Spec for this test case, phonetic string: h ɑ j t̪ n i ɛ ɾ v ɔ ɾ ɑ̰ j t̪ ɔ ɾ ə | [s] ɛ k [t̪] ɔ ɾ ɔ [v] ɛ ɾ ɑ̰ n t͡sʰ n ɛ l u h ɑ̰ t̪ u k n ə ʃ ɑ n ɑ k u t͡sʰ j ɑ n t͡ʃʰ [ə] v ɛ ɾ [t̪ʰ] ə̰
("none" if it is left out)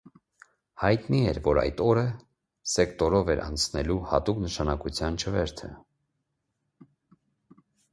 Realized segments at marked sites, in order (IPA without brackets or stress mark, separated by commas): s, t̪, v, ə, t̪ʰ